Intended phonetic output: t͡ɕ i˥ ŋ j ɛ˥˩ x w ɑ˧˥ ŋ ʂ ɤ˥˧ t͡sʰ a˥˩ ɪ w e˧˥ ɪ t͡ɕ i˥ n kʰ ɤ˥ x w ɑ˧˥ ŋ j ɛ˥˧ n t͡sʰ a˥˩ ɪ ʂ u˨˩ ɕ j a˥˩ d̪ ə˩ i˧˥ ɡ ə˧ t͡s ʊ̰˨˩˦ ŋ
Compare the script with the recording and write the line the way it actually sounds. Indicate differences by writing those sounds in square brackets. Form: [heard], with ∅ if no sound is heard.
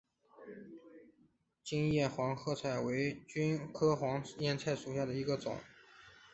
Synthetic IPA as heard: t͡ɕ i˥ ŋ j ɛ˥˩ x w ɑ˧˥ ŋ [x] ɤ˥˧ t͡sʰ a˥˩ ɪ w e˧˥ ɪ t͡ɕ [y˥] n kʰ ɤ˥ x w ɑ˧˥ ŋ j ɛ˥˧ n t͡sʰ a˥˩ ɪ ʂ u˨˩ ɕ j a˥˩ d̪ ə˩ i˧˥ ɡ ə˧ t͡s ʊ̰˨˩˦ ŋ